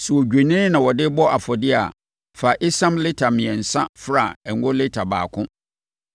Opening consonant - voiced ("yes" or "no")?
no